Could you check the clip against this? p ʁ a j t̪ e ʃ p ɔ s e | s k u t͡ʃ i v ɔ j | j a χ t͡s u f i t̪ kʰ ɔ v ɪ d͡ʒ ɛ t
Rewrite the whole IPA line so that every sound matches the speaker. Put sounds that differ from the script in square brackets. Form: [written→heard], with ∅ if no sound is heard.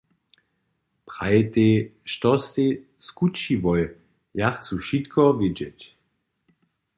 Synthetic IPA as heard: p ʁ a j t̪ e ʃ [p→t] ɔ s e | s k u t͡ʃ i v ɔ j | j a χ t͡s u [f→ʃ] i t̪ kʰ ɔ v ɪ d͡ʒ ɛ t